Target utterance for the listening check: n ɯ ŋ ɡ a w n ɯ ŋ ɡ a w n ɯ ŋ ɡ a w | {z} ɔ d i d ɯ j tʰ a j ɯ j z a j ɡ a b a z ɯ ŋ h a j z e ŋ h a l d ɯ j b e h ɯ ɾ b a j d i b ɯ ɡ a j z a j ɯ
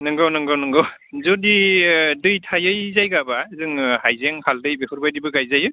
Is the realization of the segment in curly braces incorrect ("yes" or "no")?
no